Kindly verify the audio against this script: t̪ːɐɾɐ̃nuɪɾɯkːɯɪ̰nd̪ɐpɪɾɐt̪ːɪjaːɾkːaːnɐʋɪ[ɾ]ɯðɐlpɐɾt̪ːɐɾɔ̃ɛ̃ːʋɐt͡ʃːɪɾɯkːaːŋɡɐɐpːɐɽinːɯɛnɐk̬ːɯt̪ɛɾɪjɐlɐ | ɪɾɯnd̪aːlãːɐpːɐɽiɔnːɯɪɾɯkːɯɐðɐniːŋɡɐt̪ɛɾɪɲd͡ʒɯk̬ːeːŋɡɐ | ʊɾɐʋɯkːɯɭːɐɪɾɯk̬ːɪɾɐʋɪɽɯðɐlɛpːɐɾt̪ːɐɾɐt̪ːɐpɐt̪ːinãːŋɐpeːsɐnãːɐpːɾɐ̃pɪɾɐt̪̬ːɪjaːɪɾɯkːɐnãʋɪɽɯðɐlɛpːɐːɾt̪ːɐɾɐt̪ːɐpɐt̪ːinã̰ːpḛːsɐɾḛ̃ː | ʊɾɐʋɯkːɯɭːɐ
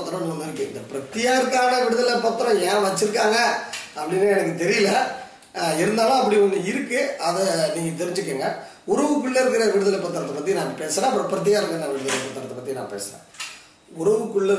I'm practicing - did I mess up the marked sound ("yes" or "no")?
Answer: yes